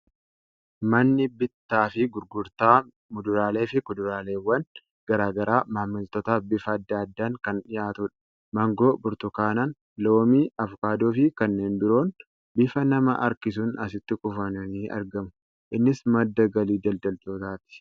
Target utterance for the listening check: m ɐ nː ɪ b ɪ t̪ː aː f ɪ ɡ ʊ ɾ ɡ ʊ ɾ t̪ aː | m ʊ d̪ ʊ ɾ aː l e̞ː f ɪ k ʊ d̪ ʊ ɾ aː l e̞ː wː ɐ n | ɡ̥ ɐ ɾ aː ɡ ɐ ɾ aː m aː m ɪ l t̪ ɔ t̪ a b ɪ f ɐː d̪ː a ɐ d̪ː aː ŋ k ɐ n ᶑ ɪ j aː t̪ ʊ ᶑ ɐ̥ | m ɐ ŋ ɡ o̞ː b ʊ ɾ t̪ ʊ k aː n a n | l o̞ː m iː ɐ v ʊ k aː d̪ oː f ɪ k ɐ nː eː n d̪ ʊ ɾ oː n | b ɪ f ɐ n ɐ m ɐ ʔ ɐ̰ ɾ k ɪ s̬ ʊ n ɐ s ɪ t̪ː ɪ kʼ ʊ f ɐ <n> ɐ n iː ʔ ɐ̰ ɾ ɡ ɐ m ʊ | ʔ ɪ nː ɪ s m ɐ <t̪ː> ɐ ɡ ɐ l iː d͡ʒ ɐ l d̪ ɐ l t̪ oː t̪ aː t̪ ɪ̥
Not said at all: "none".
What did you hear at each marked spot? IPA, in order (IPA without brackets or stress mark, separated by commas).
n, d̪ː